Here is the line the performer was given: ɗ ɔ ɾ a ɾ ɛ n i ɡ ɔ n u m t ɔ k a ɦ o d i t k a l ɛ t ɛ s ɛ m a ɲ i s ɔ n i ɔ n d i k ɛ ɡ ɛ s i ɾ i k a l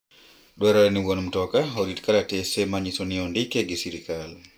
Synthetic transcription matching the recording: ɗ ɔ ɾ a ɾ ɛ n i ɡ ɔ n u m t ɔ k a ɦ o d i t k a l a t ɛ s ɛ m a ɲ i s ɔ n i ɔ n d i k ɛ ɡ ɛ s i ɾ i k a l

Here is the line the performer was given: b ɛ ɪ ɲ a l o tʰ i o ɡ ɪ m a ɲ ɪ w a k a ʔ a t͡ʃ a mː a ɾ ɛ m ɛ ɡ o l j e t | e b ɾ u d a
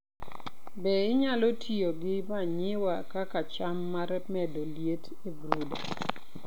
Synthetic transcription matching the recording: b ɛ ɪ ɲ a l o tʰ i o ɡ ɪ m a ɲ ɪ w a k a k a t͡ʃ a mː a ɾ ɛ m ɛ d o l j e t | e b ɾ u d a

